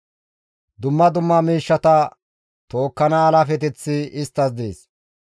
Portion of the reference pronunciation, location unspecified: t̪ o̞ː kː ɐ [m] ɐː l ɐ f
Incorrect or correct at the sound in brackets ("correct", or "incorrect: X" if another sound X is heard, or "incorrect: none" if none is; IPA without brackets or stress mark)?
incorrect: n